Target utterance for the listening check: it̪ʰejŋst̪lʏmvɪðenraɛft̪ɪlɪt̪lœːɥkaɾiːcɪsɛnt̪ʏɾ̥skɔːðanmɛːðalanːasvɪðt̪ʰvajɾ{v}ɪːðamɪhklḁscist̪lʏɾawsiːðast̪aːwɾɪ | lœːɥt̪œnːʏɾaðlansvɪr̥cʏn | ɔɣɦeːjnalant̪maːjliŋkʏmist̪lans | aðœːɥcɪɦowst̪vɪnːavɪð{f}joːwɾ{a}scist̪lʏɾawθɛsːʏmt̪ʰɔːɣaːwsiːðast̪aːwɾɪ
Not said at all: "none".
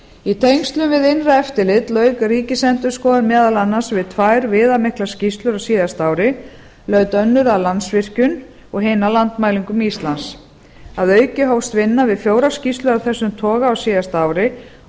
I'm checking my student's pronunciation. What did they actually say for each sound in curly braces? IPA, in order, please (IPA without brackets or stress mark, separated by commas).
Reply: v, f, a